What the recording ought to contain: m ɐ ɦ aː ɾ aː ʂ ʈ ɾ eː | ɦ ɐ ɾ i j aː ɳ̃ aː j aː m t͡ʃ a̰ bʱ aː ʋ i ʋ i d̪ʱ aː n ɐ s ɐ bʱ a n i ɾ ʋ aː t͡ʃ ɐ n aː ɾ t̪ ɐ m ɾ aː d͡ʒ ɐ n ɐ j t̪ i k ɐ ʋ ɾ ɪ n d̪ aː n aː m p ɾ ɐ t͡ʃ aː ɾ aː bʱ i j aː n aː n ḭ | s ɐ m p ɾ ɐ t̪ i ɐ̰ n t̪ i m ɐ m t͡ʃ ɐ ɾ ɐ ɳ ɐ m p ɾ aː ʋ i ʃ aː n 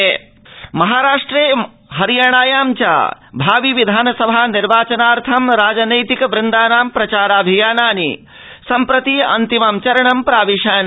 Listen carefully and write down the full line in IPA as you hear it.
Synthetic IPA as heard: m ɐ ɦ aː ɾ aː ʂ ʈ ɾ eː | ɦ ɐ ɾ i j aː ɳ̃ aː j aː m t͡ʃ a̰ bʱ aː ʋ i ʋ i d̪ʱ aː n ɐ s ɐ bʱ a n i ɾ ʋ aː t͡ʃ ɐ n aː ɾ t̪ʰ ɐ m ɾ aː d͡ʒ ɐ n ɐ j t̪ i k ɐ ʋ ɾ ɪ n d̪ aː n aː m p ɾ ɐ t͡ʃ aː ɾ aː bʱ i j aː n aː n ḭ | s ɐ m p ɾ ɐ t̪ i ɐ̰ n t̪ i m ɐ m t͡ʃ ɐ ɾ ɐ ɳ ɐ m p ɾ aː ʋ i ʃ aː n

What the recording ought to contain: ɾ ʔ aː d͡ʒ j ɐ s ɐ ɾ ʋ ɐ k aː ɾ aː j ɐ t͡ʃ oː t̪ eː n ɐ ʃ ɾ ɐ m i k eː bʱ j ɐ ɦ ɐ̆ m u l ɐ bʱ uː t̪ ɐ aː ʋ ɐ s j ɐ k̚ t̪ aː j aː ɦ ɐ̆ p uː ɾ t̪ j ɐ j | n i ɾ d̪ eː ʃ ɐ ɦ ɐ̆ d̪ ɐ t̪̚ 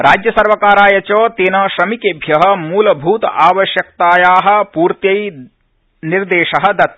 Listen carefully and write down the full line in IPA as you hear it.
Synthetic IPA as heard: ɾ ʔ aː d͡ʒ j ɐ s ɐ ɾ ʋ ɐ k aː ɾ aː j ɐ t͡ʃ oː t̪ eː n ɐ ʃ ɾ ɐ m i k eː bʱ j ɐ ɦ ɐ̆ m uː l ɐ bʱ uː t̪ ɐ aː ʋ ɐ ʃ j ɐ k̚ t̪ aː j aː ɦ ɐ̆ p uː ɾ t̪ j ɐ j | n i ɾ d̪ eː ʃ ɐ ɦ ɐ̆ d̪ ɐ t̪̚

